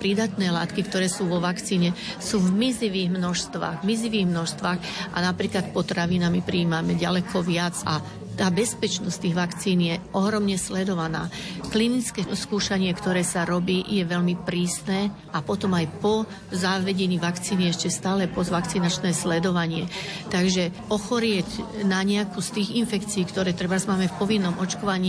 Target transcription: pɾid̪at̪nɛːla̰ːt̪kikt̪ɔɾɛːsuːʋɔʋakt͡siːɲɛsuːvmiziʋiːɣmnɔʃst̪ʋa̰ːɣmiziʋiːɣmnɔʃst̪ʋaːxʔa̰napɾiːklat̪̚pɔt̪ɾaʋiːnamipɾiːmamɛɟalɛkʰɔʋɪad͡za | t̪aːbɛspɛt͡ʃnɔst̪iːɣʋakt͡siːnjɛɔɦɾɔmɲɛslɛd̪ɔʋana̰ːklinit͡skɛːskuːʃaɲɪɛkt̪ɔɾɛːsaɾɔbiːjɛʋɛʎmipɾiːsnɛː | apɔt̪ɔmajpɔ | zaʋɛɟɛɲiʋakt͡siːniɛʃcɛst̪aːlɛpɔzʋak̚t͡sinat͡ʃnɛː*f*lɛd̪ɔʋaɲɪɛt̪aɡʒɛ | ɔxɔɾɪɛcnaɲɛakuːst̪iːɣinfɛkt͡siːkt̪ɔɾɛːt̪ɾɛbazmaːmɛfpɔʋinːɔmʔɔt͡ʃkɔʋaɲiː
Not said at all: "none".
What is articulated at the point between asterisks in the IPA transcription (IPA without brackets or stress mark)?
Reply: s